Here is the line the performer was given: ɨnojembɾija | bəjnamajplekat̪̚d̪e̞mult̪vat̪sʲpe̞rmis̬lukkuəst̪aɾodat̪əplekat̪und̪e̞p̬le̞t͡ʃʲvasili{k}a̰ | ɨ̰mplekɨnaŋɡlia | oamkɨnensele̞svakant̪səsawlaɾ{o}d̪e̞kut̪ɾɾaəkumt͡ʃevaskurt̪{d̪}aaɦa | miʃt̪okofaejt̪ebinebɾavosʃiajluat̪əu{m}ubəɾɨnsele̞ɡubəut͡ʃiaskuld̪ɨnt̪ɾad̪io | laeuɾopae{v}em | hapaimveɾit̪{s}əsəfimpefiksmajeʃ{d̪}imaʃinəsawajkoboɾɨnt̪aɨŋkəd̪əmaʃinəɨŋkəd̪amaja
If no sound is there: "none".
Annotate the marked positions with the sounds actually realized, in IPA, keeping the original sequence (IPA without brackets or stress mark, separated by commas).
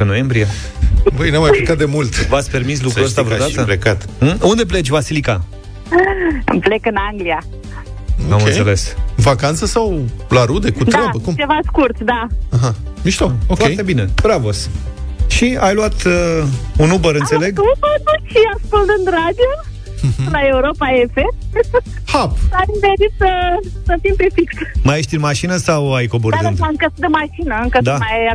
k, u, d̪, n, f, s, t̪